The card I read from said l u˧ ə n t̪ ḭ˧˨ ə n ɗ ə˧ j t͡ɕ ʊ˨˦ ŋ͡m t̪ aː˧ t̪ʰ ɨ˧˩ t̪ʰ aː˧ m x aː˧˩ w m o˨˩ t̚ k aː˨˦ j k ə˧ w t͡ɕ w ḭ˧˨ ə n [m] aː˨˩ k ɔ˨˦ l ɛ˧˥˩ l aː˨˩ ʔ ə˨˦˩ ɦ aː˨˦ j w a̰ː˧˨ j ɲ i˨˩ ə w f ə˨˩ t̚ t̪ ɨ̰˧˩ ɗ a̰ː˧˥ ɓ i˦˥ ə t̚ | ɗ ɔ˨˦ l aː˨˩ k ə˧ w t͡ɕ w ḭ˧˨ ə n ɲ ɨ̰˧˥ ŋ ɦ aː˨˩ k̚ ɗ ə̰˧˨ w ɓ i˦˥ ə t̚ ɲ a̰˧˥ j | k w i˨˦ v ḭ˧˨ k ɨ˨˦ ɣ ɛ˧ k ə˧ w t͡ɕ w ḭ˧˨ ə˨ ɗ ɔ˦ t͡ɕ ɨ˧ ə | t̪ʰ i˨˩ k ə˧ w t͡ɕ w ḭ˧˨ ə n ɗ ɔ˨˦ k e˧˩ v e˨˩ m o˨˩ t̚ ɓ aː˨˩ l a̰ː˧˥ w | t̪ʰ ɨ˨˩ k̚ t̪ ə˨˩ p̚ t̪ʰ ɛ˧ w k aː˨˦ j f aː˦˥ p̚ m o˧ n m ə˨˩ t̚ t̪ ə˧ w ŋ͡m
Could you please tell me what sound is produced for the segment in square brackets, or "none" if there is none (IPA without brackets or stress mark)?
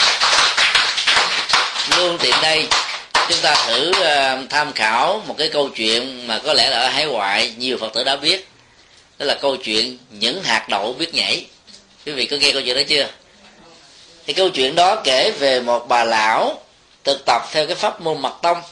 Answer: m